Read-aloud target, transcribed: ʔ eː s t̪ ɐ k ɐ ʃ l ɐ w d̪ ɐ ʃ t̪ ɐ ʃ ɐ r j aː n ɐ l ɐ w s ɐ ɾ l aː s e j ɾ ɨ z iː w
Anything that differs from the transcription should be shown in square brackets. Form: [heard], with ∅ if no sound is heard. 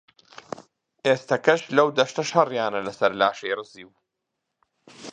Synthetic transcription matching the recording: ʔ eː s t̪ ɐ k ɐ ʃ l ɐ w d̪ ɐ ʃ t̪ ɐ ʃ ɐ r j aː n ɐ l ɐ [∅] s ɐ ɾ l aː [ʃ] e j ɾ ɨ z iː w